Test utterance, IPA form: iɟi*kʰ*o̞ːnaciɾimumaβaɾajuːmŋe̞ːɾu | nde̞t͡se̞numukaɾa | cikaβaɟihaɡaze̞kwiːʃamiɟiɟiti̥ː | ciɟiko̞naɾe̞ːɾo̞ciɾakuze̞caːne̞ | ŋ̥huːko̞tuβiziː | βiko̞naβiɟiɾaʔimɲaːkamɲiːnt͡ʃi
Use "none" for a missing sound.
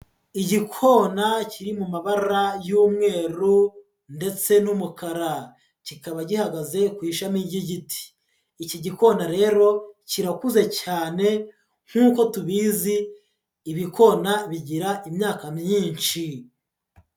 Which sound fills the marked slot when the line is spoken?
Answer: kʰ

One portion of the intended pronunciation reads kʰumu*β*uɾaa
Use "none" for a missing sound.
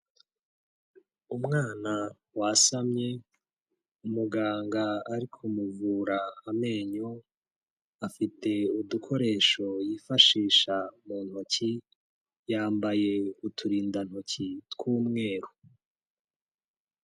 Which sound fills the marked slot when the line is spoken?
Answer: v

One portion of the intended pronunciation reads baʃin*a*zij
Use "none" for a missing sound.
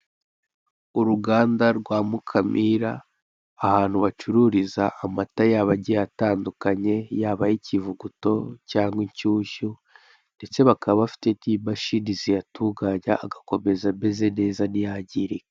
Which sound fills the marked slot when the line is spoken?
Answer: i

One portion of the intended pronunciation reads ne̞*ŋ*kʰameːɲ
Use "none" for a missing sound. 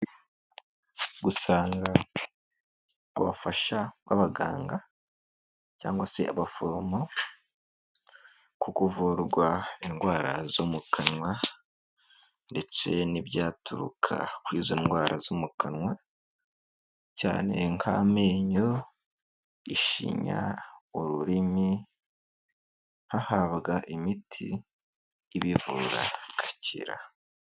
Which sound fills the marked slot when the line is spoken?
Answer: ŋ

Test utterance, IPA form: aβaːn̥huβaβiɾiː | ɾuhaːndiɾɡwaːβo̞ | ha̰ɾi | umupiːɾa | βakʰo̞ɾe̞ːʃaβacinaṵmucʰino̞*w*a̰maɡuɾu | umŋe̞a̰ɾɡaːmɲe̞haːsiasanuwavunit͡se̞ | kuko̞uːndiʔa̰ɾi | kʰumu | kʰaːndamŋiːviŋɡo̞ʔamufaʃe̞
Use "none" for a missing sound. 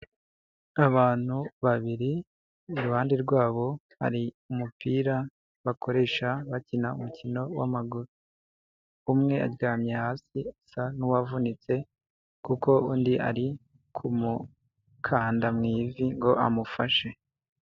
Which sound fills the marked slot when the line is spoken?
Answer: w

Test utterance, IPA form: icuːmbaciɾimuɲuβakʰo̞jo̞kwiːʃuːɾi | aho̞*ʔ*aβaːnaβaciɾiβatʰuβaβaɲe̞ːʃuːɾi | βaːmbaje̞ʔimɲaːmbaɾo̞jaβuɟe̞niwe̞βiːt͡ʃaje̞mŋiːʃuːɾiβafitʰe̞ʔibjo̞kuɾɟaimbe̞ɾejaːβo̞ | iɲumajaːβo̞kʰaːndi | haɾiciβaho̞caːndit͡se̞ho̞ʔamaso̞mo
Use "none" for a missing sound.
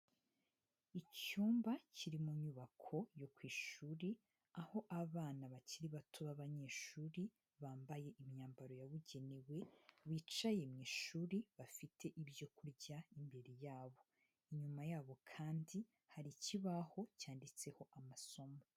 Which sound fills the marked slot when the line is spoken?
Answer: ʔ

